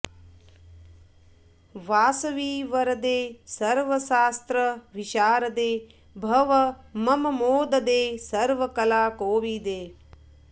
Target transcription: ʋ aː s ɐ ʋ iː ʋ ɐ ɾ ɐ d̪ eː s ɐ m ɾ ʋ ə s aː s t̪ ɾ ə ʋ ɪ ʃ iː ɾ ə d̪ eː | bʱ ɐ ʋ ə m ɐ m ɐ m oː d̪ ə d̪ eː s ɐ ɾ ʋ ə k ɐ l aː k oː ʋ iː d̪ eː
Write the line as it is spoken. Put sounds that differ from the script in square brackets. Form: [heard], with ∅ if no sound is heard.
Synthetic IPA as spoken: ʋ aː s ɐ ʋ iː ʋ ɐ ɾ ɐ d̪ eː s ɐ [∅] ɾ ʋ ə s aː s t̪ ɾ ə ʋ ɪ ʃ [aː] ɾ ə d̪ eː | bʱ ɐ ʋ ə m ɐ m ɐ m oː d̪ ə d̪ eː s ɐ ɾ ʋ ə k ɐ l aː k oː ʋ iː d̪ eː